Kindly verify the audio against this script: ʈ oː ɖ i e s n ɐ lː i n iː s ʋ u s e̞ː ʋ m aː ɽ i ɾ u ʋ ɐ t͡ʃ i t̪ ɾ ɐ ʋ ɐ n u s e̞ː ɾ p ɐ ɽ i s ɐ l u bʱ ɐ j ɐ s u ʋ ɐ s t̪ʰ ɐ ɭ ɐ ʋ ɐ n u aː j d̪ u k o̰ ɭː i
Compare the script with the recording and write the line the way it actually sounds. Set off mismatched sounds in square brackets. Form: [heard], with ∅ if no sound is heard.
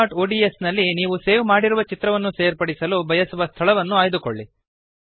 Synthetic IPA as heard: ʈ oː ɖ i e s n ɐ lː i n iː [∅] ʋ u s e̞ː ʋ m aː ɽ i ɾ u ʋ ɐ t͡ʃ i t̪ ɾ ɐ ʋ ɐ [nː] u s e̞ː ɾ p ɐ ɽ i s ɐ l u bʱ ɐ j ɐ s u ʋ ɐ s t̪ʰ ɐ ɭ ɐ ʋ ɐ [nː] u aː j d̪ u k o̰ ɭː i